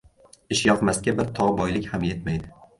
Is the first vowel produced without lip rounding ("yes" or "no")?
yes